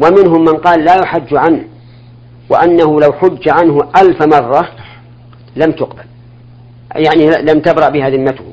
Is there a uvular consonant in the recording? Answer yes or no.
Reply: yes